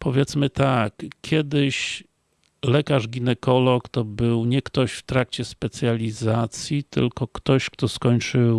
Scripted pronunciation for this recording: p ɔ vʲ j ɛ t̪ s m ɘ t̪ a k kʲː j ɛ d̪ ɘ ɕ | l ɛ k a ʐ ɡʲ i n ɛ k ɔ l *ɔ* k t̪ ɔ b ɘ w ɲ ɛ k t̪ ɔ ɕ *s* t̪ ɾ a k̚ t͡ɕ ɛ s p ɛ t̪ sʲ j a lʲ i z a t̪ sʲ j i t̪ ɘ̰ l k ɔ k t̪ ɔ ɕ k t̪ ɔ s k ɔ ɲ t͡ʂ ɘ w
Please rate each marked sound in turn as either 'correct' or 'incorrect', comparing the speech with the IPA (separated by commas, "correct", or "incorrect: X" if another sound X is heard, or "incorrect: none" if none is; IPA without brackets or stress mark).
correct, incorrect: f